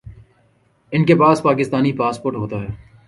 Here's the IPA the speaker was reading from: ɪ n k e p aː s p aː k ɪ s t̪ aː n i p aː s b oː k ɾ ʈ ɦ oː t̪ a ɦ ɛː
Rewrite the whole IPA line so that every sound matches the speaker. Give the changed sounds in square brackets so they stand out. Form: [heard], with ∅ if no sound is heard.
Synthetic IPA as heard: ɪ n k e p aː s p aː k ɪ s t̪ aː n i p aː s [p] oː [∅] ɾ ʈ ɦ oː t̪ a ɦ ɛː

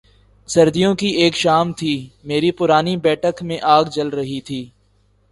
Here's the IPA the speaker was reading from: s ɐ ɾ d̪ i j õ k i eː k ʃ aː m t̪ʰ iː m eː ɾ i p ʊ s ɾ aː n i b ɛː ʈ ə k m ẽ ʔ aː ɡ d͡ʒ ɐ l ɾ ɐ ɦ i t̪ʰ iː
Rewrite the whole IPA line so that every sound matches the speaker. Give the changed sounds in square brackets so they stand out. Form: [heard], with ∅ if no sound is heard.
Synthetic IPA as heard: s ɐ ɾ d̪ i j õ k i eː k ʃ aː m t̪ʰ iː m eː ɾ i p ʊ [∅] ɾ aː n i b ɛː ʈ ə k m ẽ ʔ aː ɡ d͡ʒ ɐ l ɾ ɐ ɦ i t̪ʰ iː

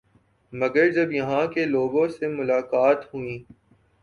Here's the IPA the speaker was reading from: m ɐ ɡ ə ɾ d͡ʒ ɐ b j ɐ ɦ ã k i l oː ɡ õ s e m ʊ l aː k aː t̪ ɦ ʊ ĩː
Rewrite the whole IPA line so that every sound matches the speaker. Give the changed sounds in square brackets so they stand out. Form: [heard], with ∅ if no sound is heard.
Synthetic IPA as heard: m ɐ ɡ ə ɾ d͡ʒ ɐ b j ɐ ɦ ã k [e] l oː ɡ õ s e m ʊ l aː k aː t̪ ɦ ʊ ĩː

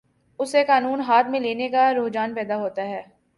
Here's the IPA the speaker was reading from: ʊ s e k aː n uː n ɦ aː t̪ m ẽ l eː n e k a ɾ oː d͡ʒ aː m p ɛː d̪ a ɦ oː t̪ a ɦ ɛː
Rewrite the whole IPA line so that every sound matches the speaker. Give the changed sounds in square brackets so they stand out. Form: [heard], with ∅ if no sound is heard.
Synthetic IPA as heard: ʊ s e k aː n uː n ɦ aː t̪ m ẽ l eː n e k a ɾ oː d͡ʒ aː [n] p ɛː d̪ a ɦ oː t̪ a ɦ ɛː

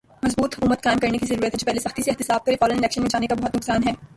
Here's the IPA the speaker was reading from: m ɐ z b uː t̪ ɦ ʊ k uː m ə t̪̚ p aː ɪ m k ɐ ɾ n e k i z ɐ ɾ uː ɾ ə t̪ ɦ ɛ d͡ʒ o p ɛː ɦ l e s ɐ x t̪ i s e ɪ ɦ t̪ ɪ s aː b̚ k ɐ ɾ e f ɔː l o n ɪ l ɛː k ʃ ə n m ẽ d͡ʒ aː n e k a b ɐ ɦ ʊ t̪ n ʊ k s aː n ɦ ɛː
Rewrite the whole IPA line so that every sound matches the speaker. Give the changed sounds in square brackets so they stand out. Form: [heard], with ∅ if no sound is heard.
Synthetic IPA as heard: m ɐ z b uː t̪ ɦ ʊ k uː m ə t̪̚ [k] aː ɪ m k ɐ ɾ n e k i z ɐ ɾ uː ɾ ə t̪ ɦ ɛ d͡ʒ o p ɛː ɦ l e s ɐ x t̪ i s e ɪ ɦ t̪ ɪ s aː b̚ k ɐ ɾ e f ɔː l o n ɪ l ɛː k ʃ ə n m ẽ d͡ʒ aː n e k a b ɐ ɦ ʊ t̪ n ʊ k s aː n ɦ ɛː

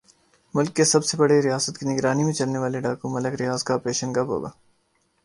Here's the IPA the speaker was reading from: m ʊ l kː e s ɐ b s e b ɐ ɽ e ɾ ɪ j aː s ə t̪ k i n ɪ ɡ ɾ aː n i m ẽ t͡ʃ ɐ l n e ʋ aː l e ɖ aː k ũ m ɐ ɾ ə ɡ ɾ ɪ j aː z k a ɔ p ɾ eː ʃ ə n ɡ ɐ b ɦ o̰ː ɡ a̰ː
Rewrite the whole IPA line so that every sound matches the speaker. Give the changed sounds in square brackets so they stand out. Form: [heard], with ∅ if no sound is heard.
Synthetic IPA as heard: m ʊ l kː e s ɐ b s e b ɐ ɽ e ɾ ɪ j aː s ə t̪ k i n ɪ ɡ ɾ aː n i m ẽ t͡ʃ ɐ l n e ʋ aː l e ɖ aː k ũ m ɐ [l] ə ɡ ɾ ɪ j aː z k a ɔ p ɾ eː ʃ ə n ɡ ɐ b ɦ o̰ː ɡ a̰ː

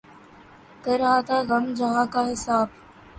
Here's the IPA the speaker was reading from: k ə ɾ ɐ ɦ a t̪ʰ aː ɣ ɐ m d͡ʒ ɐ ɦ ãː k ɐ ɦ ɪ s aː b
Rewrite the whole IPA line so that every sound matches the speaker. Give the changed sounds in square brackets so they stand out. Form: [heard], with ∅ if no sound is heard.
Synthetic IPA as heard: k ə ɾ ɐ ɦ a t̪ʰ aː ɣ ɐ m d͡ʒ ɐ ɦ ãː k [a] ɦ ɪ s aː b

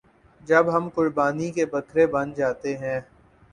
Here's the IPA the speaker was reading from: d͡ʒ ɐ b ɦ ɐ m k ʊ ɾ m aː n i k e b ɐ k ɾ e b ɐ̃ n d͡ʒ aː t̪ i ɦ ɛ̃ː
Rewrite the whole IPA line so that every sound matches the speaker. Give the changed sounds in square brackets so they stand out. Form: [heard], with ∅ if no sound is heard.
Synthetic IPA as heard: d͡ʒ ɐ b ɦ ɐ m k ʊ ɾ [b] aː n i k e b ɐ k ɾ e b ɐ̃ n d͡ʒ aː t̪ [e] ɦ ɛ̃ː

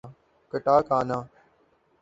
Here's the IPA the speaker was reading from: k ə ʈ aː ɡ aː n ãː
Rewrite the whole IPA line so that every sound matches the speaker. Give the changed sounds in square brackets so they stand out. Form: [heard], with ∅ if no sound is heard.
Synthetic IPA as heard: k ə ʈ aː [k] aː n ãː

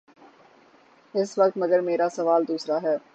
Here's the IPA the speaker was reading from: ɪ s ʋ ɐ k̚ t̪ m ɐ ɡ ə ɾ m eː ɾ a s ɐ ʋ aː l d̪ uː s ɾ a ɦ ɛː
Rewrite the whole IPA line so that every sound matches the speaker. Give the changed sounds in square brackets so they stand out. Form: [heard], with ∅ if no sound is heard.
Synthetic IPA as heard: ɪ s ʋ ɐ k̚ t̪ m ɐ ɡ ə ɾ m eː ɾ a s ɐ ʋ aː l d̪ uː s ɾ a ɦ ɛː

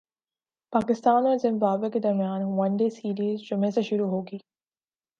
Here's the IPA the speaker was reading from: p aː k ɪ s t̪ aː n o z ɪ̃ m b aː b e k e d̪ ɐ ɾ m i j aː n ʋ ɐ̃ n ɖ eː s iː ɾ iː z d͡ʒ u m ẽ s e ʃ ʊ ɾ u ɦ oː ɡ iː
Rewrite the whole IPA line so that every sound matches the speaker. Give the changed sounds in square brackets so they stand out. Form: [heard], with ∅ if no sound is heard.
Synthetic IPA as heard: p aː k ɪ s t̪ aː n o z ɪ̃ m b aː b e k e d̪ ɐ ɾ m i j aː n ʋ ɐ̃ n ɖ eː s iː ɾ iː z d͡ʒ [ʊ] m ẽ s e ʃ ʊ ɾ u ɦ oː ɡ iː

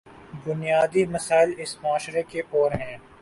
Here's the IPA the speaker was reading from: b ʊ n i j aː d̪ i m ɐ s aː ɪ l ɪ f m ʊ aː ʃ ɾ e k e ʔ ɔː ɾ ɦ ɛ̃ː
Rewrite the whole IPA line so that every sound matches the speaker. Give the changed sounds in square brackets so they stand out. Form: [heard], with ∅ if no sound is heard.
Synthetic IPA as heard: b ʊ n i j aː d̪ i m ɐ s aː ɪ l ɪ [s] m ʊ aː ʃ ɾ e k e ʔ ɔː ɾ ɦ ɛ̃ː

